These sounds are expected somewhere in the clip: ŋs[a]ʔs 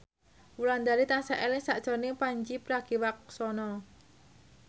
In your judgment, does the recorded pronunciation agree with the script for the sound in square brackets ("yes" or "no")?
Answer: yes